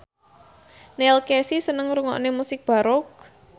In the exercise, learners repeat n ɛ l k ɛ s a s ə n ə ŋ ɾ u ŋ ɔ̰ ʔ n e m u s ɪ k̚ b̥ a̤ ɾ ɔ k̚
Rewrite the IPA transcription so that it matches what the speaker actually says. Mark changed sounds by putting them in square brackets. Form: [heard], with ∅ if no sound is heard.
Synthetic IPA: n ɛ l k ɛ s [i] s ə n ə ŋ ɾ u ŋ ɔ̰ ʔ n e m u s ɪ k̚ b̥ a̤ ɾ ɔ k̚